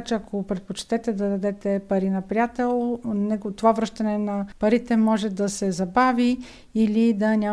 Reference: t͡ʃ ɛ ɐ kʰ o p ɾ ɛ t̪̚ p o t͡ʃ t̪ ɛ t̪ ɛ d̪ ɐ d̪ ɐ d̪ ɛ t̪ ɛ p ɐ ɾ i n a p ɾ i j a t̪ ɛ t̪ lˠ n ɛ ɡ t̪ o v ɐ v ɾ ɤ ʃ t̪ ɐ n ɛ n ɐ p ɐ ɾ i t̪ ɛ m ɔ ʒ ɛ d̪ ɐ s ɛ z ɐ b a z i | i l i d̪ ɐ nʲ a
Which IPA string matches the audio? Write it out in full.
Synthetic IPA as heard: t͡ʃ ɛ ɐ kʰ o p ɾ ɛ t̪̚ p o t͡ʃ t̪ ɛ t̪ ɛ d̪ ɐ d̪ ɐ d̪ ɛ t̪ ɛ p ɐ ɾ i n ɐ p ɾ i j a t̪ ɛ lˠ n ɛ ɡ t̪ o v a v ɾ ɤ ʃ t̪ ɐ n ɛ n ɐ p ɐ ɾ i t̪ ɛ m ɔ ʒ ɛ d̪ ɐ s ɛ z ɐ b a v i | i l i d̪ ɐ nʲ a